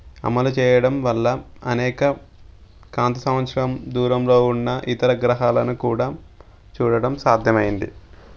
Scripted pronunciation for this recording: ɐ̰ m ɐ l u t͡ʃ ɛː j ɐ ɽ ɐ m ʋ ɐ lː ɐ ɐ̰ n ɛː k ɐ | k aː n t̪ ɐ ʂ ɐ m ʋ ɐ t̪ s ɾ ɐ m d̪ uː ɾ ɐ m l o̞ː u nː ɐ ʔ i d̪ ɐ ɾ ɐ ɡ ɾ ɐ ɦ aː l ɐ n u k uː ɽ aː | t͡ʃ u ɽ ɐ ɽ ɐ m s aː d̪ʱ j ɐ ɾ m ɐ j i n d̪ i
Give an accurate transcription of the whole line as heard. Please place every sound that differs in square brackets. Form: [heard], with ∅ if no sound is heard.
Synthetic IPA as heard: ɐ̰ m ɐ l u t͡ʃ ɛː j ɐ ɽ ɐ m ʋ ɐ lː ɐ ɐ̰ n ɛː k ɐ | k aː n t̪ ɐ [s] ɐ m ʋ ɐ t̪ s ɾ ɐ m d̪ uː ɾ ɐ m l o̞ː u nː ɐ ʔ i [t̪] ɐ ɾ ɐ ɡ ɾ ɐ ɦ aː l ɐ n u k uː ɽ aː | t͡ʃ [uː] ɽ ɐ ɽ ɐ m s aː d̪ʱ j ɐ [∅] m ɐ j i n d̪ i